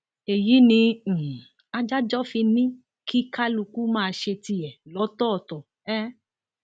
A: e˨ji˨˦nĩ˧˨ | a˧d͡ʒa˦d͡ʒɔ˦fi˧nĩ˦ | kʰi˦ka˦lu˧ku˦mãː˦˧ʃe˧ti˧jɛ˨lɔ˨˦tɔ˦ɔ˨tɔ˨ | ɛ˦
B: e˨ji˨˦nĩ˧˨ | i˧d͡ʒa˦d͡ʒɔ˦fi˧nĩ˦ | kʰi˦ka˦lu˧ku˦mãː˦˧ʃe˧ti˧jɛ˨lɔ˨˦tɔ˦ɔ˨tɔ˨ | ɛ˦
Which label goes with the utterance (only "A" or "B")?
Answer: A